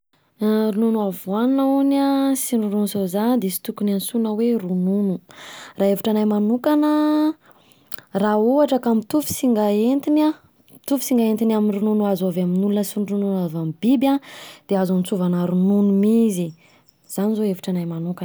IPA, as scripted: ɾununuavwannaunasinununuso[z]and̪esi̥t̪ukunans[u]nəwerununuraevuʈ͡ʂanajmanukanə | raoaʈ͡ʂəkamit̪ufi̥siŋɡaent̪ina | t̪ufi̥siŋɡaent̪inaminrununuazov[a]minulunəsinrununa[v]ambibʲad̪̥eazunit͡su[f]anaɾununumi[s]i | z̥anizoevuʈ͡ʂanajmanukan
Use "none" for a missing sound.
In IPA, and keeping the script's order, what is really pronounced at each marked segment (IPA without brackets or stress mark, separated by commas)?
z, u, a, v, v, z